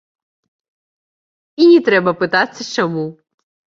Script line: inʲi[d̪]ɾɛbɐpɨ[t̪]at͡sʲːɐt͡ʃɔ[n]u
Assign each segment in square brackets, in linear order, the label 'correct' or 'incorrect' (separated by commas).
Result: incorrect, correct, incorrect